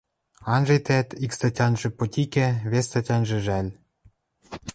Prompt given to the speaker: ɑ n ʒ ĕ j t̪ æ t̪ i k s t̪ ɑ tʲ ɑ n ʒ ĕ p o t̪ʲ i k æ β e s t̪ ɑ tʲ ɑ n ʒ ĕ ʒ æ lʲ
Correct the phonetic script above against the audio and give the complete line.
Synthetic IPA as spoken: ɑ n ʒ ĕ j t̪ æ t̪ i k s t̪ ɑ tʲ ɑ n ʒ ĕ p o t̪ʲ i k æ β e s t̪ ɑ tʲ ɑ n ʒ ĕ ʒ æ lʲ